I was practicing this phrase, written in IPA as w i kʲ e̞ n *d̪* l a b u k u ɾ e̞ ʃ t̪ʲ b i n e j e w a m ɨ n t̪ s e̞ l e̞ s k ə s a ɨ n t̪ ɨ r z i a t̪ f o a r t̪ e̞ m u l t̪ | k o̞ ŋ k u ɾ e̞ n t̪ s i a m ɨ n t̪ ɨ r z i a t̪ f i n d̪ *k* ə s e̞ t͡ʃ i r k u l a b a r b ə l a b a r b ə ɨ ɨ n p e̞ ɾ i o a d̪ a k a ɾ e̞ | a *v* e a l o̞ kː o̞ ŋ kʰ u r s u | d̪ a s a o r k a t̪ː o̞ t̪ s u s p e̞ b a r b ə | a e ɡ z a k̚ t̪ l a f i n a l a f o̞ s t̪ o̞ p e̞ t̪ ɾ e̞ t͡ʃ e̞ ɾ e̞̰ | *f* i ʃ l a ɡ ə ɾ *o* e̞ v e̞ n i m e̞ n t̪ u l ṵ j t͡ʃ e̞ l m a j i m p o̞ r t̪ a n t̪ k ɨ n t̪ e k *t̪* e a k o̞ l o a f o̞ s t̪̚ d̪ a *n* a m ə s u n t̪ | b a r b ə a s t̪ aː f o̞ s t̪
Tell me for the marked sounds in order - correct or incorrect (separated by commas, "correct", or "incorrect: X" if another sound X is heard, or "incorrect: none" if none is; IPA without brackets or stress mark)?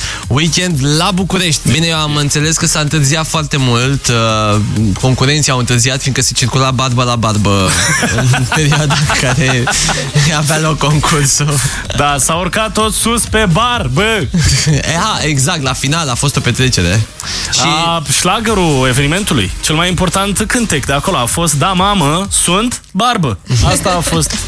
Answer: correct, correct, correct, incorrect: ʃ, incorrect: u, incorrect: d̪, incorrect: m